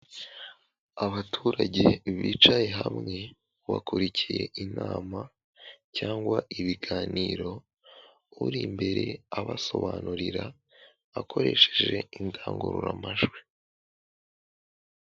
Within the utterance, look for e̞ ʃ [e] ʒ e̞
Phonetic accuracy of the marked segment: correct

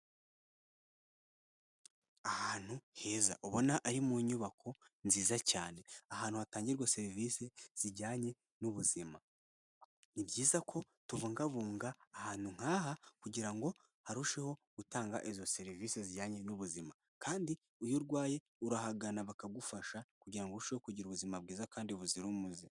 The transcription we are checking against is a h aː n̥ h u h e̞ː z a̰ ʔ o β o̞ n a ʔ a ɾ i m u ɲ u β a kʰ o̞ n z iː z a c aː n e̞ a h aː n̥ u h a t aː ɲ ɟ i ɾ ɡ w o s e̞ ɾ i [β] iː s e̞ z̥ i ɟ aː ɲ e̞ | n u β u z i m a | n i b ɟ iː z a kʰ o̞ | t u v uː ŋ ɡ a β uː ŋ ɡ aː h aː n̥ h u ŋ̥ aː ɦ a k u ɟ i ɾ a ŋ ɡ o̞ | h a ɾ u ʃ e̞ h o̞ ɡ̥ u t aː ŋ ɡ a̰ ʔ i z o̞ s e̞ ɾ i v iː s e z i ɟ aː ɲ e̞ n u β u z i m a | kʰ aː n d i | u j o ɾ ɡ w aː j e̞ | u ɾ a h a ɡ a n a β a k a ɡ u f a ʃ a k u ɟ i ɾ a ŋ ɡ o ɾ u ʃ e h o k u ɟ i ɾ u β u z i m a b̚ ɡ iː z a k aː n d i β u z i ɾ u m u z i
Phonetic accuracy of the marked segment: incorrect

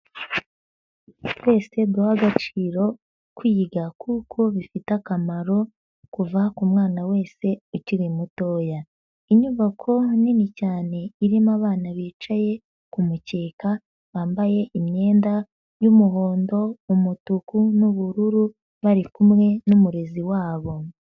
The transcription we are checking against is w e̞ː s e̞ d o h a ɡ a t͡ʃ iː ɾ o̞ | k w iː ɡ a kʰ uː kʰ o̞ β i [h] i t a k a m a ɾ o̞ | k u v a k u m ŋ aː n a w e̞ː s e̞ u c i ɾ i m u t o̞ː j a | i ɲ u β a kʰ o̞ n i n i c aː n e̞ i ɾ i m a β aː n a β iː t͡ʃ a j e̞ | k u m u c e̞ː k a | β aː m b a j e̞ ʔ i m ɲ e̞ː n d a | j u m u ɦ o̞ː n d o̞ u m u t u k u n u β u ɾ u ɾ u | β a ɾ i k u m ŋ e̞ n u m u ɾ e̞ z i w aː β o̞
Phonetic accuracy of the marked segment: incorrect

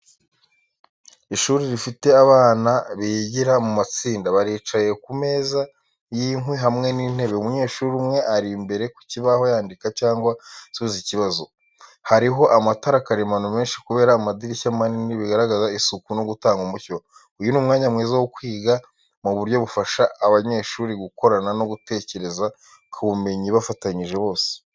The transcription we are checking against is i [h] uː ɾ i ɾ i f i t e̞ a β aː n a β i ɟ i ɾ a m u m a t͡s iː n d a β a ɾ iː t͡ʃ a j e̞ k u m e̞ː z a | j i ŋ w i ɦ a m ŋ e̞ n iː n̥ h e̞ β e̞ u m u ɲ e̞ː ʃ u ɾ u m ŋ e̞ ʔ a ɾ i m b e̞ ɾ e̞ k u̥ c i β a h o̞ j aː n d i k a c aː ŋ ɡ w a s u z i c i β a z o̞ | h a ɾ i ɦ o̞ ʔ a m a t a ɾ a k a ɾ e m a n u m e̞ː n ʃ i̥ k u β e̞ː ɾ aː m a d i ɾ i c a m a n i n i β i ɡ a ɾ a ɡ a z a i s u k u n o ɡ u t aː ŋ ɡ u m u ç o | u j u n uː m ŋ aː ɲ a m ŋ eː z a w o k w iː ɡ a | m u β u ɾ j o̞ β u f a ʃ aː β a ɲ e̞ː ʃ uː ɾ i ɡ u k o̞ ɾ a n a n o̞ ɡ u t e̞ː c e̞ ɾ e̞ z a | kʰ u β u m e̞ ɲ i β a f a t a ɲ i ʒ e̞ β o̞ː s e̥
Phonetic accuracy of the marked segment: incorrect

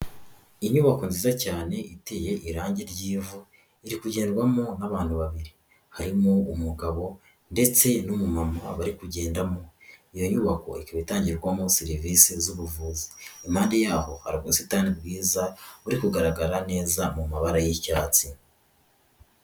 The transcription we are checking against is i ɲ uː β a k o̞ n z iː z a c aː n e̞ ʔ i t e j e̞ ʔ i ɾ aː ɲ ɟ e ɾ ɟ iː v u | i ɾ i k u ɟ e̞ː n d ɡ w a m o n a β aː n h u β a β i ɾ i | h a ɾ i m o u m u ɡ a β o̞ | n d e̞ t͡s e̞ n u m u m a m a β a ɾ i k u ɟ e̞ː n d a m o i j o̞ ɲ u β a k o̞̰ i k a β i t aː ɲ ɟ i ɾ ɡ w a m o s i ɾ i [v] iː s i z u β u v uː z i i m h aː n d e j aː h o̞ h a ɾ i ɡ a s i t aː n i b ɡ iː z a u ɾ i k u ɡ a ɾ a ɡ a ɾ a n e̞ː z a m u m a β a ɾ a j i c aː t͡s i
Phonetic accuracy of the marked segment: correct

